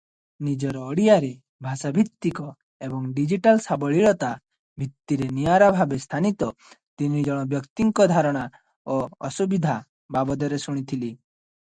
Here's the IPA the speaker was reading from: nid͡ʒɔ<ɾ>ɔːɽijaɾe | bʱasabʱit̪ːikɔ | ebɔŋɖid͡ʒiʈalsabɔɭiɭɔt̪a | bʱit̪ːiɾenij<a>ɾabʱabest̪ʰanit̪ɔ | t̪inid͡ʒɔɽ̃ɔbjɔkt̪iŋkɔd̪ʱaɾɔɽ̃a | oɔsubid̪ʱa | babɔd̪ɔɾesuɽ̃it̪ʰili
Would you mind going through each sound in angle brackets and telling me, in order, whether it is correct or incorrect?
correct, correct

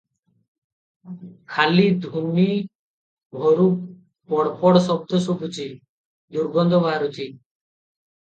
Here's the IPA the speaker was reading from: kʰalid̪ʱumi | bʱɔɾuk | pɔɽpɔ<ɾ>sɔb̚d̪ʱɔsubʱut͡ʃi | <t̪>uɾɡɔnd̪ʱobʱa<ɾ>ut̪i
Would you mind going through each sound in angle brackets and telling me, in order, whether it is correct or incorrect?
incorrect: ɽ, incorrect: d̪, correct

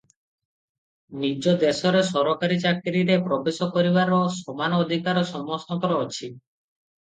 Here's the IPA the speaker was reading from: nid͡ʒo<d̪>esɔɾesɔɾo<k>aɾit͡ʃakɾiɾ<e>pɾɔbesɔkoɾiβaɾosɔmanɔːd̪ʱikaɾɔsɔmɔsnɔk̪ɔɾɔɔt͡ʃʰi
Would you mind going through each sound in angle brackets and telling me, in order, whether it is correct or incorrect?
correct, correct, correct

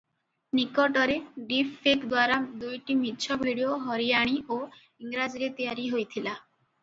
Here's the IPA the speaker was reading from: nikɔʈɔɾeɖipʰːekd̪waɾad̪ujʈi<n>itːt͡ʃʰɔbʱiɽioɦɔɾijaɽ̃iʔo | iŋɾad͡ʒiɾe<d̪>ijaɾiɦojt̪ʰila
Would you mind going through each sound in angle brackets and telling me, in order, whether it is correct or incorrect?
incorrect: m, incorrect: t̪

